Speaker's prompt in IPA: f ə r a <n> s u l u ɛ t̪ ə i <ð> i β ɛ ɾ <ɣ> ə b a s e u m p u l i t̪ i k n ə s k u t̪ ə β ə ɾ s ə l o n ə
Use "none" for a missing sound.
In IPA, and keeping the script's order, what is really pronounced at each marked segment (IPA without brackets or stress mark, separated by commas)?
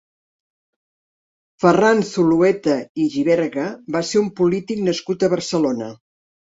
n, ʒ, ɣ